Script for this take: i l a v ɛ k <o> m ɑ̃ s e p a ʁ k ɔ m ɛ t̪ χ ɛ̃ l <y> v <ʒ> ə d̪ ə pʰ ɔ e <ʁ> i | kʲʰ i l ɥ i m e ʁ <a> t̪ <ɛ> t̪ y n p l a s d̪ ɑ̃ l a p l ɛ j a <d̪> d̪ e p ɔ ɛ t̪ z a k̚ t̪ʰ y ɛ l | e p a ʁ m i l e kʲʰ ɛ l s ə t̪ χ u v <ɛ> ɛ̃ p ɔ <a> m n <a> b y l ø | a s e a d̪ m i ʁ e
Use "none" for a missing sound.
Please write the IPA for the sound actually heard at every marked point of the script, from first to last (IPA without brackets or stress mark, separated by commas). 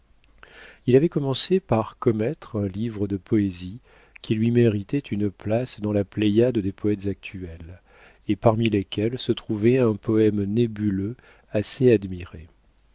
ɔ, i, ʁ, z, i, ɛ, d̪, ɛ, ɛ, e